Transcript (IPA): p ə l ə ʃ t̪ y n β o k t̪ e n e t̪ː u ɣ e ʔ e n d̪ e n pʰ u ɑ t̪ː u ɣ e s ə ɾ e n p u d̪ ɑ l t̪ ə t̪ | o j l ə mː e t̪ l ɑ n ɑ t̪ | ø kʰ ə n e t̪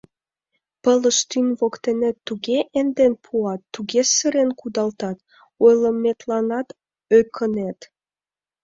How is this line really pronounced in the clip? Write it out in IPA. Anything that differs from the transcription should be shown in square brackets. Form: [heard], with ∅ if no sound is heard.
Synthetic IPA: p ə l ə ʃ t̪ y n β o k t̪ e n e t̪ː u ɣ e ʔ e n d̪ e n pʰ u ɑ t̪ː u ɣ e s ə ɾ e n [k] u d̪ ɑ l t̪ [ɑ] t̪ | o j l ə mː e t̪ l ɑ n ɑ t̪ | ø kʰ ə n e t̪

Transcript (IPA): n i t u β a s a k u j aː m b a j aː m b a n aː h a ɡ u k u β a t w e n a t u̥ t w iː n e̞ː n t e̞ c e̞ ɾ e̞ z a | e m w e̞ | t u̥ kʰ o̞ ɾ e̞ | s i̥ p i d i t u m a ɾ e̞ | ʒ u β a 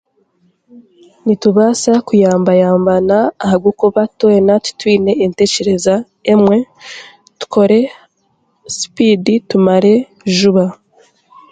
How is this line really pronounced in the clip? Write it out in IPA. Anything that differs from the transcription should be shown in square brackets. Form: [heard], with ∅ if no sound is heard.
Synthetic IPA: n i t u β a s a k u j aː m b a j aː m b a n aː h a ɡ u k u β a t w e n a t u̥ t w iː n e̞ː n t e̞ c e̞ ɾ e̞ z a | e m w e̞ | t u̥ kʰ o̞ ɾ e̞ | s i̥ p i d i t u m a ɾ e̞ | ʒ u β a

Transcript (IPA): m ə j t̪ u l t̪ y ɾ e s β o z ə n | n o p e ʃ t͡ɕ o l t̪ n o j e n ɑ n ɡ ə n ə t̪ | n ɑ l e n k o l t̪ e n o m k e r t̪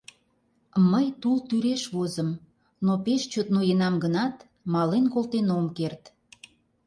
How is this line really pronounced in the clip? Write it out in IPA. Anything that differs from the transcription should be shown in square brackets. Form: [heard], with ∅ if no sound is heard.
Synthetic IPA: m ə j t̪ u l t̪ y ɾ e [ʃ] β o z ə [m] | n o p e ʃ t͡ɕ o [∅] t̪ n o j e n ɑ [m] ɡ ə n [ɑ] t̪ | [m] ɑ l e n k o l t̪ e n o m k e r t̪

